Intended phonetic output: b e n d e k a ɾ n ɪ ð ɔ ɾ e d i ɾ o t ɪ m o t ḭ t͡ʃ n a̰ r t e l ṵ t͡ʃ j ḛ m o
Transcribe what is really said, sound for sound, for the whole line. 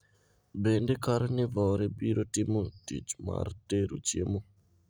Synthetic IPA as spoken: b e n d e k a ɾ n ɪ v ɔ ɾ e b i ɾ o t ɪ m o t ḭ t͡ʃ m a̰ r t e ɾ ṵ t͡ʃ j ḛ m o